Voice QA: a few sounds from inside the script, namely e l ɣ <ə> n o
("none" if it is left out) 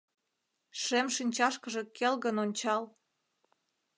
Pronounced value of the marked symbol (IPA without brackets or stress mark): ə